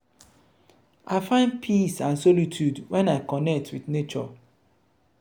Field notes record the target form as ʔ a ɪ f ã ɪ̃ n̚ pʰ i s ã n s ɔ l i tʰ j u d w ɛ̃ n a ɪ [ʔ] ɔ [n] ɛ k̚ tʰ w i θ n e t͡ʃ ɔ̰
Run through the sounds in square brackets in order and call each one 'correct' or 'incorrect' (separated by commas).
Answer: incorrect, correct